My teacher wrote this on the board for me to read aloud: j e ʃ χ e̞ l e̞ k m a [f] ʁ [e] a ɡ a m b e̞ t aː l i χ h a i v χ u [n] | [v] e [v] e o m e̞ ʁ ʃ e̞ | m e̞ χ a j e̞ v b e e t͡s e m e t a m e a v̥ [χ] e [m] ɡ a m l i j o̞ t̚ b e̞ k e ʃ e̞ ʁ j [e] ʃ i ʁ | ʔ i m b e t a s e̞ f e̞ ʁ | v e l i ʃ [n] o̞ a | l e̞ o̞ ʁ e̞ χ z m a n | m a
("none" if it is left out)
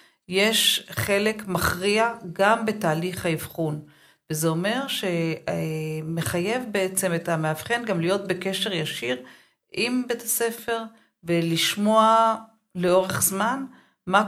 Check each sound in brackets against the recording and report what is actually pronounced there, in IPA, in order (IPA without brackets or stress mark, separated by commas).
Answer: χ, i, n, v, z, χ, n, a, m